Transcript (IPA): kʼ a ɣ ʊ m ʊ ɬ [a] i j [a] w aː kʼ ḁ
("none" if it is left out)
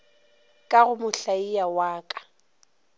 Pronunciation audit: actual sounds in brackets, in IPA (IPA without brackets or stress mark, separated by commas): a, a